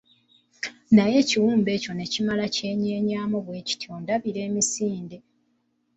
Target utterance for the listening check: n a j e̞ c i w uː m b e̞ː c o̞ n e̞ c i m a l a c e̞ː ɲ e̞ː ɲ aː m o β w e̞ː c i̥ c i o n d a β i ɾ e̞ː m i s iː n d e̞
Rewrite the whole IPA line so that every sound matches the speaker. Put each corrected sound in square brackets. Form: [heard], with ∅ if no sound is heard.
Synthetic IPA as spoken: n a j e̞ c i w uː m b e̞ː c o̞ n e̞ c i m a l a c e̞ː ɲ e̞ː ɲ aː m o β w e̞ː c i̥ [t] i o n d a β i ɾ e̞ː m i s iː n d e̞